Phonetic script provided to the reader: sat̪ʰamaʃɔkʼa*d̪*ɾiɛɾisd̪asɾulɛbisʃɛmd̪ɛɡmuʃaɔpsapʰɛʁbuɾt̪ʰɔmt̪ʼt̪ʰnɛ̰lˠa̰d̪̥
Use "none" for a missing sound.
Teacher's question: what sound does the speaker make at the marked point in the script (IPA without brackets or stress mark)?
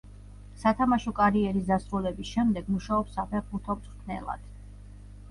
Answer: none